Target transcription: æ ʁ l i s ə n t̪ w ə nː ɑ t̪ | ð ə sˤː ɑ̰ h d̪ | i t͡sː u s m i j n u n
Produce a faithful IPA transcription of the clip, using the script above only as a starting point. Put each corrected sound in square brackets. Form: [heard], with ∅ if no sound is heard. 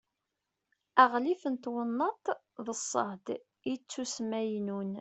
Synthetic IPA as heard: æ ʁ l i [f] ə n t̪ w ə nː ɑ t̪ | ð ə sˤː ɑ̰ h d̪ | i t͡sː u s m [æ] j n u n